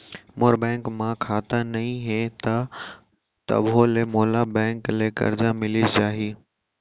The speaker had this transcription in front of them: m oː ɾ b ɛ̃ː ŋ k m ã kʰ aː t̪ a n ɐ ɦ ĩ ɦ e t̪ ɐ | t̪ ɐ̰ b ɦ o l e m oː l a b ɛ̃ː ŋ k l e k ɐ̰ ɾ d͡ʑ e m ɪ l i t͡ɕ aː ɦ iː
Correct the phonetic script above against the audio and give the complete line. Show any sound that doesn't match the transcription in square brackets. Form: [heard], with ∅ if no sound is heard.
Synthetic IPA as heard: m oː ɾ b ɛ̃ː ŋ k m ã kʰ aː t̪ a n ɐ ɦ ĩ ɦ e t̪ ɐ | t̪ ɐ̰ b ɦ o l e m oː l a b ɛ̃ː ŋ k l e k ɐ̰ ɾ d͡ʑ [a] m ɪ l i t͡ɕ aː ɦ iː